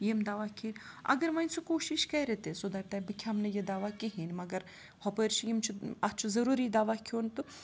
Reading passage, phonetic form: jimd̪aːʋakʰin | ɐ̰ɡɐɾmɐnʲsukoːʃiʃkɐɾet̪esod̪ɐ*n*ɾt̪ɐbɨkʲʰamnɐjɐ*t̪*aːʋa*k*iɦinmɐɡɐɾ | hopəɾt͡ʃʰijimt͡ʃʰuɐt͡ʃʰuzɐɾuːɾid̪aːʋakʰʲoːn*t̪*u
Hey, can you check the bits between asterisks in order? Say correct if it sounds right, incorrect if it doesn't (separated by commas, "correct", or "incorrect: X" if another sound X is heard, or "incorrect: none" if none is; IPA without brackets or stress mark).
incorrect: none, incorrect: d̪, correct, correct